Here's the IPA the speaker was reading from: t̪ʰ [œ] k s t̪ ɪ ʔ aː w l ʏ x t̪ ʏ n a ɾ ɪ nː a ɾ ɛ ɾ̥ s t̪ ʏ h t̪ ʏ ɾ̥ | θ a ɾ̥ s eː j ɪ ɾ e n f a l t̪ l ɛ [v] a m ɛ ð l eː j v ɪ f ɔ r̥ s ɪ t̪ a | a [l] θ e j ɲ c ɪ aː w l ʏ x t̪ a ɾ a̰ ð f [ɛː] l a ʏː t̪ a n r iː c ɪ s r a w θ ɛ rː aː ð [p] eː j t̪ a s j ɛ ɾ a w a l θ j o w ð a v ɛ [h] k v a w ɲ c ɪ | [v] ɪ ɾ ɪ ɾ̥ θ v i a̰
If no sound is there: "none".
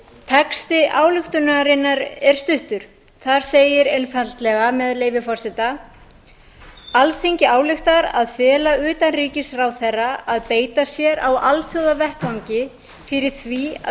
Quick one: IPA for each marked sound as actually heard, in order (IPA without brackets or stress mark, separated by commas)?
ɛ, ɣ, l, ɛː, p, h, f